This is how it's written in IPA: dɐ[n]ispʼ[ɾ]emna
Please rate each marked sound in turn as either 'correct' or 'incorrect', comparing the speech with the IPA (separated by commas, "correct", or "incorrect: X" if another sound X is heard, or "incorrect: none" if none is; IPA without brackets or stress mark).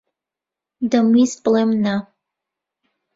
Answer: incorrect: m, incorrect: l